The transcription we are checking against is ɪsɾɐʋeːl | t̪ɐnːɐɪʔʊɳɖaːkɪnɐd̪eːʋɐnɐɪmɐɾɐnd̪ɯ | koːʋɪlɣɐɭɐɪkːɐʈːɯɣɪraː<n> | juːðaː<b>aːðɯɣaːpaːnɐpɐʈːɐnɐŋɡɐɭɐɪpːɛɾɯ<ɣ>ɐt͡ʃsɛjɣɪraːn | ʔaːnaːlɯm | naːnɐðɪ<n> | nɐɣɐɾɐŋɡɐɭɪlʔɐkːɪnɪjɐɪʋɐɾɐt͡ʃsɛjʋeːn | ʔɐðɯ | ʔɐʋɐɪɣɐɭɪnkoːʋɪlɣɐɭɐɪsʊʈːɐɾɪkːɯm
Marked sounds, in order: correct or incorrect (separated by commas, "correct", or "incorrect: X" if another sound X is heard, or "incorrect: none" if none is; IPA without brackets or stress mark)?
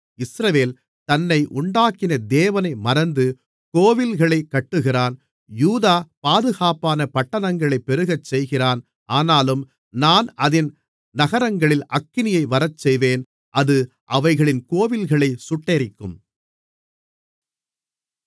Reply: correct, incorrect: p, correct, correct